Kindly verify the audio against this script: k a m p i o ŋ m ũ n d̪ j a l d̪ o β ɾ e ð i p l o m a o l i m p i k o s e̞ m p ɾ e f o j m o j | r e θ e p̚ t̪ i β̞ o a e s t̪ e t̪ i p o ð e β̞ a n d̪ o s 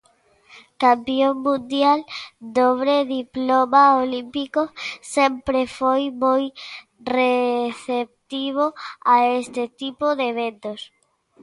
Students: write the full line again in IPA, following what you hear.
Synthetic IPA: k a m p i o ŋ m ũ n d̪ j a l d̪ o β ɾ e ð i p l o m a o l i m p i k o s e̞ m p ɾ e f o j m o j | r e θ e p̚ t̪ i β̞ o a e s t̪ e t̪ i p o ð e β̞ e n t̪ o s